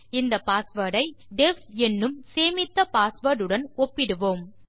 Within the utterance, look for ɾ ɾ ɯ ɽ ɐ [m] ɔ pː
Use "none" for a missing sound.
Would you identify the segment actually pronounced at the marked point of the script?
n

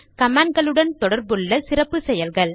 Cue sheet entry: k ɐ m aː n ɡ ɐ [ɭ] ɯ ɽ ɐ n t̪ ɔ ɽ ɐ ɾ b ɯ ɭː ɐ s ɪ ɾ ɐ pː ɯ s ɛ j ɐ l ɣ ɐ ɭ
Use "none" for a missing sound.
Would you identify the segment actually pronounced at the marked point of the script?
ɭ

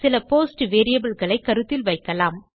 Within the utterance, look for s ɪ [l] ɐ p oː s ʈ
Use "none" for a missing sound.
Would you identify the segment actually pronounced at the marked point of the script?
l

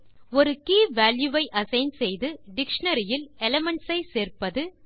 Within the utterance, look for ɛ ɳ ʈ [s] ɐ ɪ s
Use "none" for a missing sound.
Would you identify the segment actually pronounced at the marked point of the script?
s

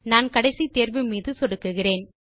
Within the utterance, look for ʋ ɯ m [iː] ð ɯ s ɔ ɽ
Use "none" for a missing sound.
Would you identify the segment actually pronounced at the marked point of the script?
iː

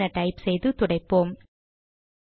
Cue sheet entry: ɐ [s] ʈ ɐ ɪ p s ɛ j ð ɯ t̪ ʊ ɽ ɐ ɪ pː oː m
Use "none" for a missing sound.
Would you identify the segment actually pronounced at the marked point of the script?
none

